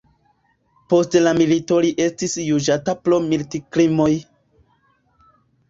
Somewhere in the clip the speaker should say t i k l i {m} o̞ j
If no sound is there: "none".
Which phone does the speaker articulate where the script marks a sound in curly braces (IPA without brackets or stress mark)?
m